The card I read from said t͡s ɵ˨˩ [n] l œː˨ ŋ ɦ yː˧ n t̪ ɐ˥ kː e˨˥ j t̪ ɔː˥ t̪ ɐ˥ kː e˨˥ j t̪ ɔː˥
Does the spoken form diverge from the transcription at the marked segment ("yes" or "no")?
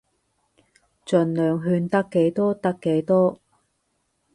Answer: no